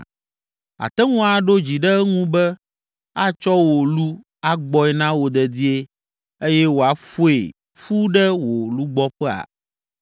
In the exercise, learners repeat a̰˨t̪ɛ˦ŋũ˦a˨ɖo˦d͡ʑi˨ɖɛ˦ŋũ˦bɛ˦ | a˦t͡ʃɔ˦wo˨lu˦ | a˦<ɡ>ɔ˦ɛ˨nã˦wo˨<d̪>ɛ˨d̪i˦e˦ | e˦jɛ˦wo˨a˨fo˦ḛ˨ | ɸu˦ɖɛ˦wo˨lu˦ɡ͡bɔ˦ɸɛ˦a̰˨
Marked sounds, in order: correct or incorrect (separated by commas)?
incorrect, correct